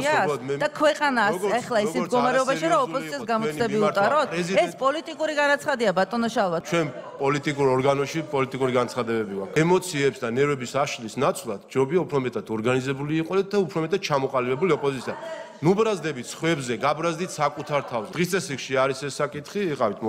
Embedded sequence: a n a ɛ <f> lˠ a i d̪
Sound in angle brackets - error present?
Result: yes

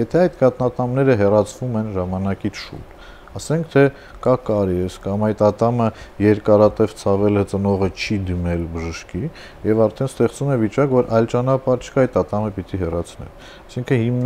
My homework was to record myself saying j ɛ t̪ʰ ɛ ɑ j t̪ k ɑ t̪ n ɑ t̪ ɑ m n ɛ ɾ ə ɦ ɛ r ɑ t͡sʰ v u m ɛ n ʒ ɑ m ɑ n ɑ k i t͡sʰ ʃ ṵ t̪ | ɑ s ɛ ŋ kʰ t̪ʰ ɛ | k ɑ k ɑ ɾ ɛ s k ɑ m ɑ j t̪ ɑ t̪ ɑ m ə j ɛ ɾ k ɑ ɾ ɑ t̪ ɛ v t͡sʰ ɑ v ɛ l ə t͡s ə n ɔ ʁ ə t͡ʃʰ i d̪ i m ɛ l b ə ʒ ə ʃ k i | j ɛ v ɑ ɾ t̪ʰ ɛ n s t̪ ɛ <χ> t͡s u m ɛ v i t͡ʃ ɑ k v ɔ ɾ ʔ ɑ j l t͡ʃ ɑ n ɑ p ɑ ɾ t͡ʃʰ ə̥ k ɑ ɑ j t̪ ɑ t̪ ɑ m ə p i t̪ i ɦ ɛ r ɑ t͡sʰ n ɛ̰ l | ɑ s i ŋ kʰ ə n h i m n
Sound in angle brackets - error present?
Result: no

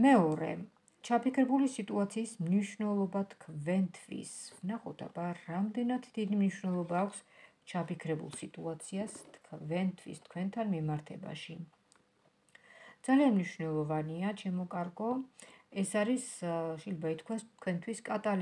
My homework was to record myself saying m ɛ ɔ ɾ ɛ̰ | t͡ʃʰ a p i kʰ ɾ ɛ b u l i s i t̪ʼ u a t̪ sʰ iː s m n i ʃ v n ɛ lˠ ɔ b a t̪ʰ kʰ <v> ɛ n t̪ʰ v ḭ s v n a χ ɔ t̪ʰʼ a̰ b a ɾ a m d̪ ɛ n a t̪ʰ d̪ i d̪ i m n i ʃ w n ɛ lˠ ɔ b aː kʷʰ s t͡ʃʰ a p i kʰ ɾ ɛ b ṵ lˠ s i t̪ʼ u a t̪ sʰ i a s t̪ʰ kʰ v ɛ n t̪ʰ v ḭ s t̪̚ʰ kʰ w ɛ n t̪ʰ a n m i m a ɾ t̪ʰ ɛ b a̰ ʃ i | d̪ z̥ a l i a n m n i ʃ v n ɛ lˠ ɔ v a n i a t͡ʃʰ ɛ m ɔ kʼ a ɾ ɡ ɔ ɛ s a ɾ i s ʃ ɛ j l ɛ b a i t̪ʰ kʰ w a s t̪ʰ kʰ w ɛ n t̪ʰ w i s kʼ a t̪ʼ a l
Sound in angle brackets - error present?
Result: no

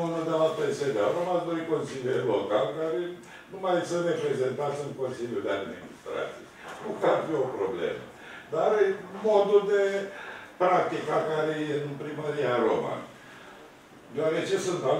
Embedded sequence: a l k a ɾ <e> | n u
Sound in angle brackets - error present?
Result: no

